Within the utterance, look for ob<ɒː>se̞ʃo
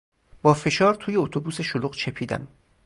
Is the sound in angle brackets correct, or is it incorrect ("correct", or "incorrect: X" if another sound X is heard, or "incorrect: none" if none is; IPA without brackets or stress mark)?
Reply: incorrect: uː